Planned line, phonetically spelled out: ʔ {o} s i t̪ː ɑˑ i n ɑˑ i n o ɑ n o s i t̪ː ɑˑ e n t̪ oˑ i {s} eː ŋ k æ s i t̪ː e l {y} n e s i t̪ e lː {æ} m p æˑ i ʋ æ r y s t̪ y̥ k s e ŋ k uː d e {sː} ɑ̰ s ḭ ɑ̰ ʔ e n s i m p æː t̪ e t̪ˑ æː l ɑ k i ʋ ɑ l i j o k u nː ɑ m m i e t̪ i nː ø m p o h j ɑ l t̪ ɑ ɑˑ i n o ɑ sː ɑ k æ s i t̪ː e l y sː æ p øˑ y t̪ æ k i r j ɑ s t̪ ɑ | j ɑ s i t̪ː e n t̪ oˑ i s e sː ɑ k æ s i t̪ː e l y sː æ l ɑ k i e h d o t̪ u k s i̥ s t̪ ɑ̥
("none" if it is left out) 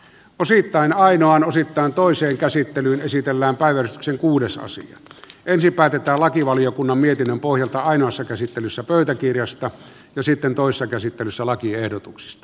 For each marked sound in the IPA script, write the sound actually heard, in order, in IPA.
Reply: o, s, yː, æː, s

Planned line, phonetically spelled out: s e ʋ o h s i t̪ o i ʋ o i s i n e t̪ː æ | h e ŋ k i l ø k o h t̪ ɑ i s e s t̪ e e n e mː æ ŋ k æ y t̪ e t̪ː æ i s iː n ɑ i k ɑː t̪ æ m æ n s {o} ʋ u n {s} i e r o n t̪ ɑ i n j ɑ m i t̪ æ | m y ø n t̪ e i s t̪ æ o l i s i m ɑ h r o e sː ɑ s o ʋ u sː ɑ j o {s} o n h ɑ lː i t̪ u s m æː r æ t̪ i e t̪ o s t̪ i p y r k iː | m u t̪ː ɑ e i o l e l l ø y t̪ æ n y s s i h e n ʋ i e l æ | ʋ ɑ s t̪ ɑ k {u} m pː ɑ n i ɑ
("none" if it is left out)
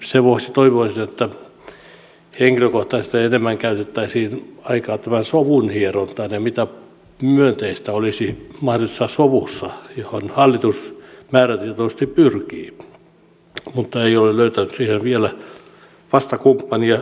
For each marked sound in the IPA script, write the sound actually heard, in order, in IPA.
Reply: o, h, h, u

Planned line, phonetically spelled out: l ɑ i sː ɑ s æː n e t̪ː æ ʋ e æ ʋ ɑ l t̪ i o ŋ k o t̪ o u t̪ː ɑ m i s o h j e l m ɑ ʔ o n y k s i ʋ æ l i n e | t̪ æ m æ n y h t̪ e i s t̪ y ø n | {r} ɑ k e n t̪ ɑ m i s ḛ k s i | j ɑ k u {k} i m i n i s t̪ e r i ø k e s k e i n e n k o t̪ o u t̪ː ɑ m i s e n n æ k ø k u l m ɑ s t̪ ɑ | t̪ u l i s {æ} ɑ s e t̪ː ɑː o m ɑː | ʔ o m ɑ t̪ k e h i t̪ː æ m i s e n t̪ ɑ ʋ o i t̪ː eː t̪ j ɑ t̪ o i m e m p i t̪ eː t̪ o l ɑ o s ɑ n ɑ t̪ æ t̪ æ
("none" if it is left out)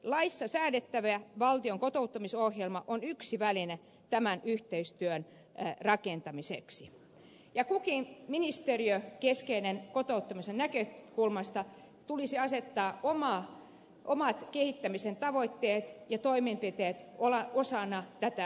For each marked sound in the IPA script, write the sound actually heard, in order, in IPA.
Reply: r, k, i

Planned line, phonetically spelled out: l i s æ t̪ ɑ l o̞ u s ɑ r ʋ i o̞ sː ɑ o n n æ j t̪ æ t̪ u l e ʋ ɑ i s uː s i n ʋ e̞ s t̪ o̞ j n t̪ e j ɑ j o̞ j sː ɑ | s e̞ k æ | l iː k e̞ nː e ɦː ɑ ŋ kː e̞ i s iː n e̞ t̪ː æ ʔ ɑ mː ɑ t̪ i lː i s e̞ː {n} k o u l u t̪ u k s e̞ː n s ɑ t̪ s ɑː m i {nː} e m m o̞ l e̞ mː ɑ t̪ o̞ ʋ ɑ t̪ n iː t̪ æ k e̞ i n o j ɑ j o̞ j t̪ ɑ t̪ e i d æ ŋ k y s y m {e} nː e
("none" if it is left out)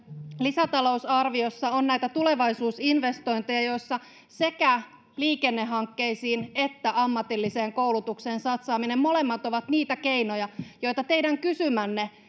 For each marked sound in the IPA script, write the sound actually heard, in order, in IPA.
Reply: ŋ, n, æ

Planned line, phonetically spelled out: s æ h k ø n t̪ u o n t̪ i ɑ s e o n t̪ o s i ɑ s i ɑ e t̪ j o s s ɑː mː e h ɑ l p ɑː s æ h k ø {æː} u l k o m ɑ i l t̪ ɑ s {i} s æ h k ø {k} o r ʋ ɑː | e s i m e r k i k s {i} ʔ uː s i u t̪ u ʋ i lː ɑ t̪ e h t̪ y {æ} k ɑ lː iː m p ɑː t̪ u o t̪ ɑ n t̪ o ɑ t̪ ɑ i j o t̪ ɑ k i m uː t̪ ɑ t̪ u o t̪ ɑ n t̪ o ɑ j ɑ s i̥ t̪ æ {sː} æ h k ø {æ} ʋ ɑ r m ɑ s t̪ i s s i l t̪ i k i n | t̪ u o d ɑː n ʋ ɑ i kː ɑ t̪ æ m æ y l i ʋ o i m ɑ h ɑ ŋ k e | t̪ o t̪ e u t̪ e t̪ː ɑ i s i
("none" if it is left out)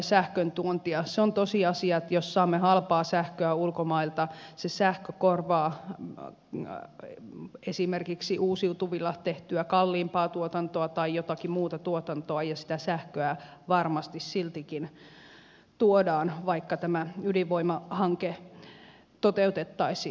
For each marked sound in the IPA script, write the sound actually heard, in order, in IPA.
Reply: æ, e, k, i, æ, s, æ

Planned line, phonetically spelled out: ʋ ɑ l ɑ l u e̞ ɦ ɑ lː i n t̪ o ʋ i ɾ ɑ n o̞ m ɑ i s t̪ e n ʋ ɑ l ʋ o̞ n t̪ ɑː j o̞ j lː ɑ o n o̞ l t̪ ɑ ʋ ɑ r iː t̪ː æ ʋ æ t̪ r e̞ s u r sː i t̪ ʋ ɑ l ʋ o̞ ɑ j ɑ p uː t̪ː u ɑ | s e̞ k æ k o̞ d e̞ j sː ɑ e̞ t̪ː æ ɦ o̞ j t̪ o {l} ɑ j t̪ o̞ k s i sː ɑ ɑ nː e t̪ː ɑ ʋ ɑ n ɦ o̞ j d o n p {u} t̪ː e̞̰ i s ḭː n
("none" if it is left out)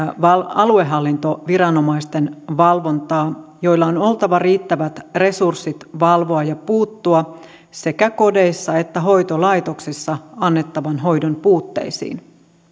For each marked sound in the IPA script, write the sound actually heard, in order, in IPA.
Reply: l, uː

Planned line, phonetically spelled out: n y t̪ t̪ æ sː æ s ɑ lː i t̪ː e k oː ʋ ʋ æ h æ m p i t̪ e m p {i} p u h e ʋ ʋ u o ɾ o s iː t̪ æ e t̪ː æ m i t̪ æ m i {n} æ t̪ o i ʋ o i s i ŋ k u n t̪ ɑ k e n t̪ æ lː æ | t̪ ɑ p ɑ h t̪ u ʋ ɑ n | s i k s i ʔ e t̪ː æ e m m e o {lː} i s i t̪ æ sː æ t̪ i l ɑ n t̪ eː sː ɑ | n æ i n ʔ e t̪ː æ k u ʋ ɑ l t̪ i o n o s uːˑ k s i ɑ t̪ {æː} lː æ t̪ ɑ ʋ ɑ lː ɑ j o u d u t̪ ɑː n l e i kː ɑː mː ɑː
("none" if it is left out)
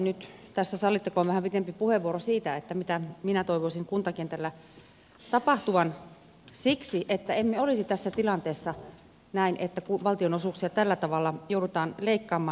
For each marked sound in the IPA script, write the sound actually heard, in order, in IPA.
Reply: i, n, l, æ

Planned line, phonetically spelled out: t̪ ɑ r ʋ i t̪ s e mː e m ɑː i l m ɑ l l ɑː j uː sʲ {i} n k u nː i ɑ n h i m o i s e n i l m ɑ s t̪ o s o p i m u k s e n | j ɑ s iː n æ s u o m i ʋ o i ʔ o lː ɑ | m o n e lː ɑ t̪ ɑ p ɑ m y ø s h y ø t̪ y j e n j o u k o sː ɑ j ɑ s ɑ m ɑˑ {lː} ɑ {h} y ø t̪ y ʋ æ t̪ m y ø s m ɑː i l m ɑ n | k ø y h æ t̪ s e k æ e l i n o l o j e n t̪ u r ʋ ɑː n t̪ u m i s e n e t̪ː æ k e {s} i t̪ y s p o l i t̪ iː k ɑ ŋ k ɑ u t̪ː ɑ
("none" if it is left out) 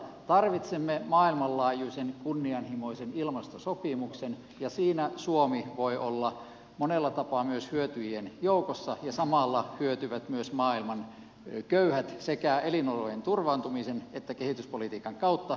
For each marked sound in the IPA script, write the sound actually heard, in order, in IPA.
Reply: e, lː, h, h

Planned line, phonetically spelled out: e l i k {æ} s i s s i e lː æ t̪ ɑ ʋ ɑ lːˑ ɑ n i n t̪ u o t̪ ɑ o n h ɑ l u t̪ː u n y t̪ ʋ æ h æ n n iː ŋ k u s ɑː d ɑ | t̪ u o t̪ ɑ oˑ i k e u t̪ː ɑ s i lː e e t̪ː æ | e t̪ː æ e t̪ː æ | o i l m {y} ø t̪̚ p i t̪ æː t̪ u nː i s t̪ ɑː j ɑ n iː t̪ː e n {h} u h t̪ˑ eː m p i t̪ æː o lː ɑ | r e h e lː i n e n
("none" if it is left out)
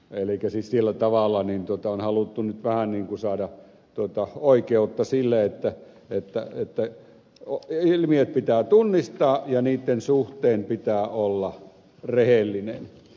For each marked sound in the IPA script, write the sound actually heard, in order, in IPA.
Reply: æ, i, s

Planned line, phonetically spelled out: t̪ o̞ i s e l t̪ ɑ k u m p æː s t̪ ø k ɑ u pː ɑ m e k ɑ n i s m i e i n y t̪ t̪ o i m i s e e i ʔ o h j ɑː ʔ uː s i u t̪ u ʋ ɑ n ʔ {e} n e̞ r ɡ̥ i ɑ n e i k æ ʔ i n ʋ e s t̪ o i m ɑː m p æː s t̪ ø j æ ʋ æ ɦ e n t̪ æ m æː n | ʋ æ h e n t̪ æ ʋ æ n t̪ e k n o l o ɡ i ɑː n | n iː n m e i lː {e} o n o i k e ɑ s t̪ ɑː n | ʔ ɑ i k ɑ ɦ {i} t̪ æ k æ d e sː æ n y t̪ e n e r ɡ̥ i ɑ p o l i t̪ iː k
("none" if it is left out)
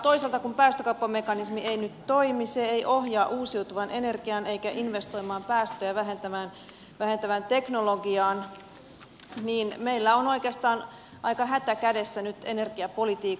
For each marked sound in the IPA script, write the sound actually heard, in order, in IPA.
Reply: e, æ, æ

